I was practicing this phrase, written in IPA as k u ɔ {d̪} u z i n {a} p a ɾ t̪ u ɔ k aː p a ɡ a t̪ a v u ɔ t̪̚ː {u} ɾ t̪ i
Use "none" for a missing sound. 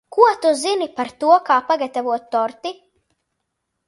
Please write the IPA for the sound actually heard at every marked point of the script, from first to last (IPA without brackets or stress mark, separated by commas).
t̪, i, ɔ